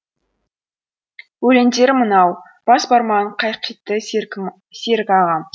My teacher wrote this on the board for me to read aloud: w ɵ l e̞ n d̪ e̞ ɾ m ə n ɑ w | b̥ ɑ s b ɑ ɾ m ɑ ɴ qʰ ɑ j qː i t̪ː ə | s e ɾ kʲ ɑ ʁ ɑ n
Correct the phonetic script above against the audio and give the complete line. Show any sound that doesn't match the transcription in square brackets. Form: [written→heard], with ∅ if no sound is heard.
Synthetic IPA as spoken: w ɵ l e̞ n d̪ e̞ ɾ m ə n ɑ w | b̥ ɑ s b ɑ ɾ m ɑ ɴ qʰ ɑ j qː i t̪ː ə | s e ɾ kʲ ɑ ʁ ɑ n